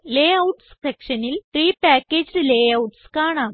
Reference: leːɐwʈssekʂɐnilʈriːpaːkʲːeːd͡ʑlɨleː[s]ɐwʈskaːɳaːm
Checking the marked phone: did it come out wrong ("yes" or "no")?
yes